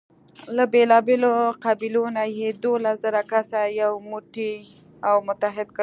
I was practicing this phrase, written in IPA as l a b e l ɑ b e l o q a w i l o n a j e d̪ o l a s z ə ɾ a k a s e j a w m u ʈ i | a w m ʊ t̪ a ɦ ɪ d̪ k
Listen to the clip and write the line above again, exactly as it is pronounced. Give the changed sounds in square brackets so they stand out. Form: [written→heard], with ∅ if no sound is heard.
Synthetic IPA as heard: l a b e l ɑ b e l o q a [w→b] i l o n a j e d̪ o l a s z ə ɾ a k a s [e→a] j a w m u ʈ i | a w m ʊ t̪ a ɦ ɪ d̪ k